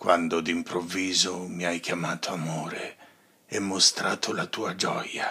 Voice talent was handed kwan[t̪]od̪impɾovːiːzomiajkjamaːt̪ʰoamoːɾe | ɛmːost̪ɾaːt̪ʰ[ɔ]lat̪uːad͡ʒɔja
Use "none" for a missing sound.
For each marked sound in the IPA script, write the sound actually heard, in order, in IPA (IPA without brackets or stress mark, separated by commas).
d̪, o